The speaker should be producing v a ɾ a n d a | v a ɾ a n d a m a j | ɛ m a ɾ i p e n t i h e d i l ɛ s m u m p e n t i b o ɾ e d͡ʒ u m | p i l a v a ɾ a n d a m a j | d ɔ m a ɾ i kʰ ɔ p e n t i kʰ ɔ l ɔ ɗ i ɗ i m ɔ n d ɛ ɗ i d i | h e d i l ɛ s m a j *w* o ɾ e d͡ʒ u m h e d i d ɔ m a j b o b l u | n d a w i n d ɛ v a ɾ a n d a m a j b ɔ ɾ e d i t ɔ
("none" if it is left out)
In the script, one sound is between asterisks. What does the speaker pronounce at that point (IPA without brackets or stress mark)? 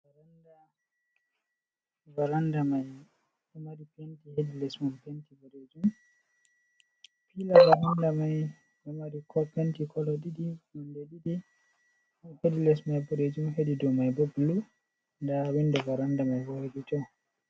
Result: b